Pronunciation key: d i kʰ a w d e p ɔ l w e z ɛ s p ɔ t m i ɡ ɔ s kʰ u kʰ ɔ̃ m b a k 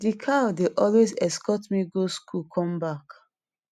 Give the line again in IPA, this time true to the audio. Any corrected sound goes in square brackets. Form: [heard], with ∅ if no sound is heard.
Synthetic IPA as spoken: d i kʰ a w d e [ʔ] ɔ l w e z ɛ s [k] ɔ t m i ɡ [o] s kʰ u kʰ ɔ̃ m b a k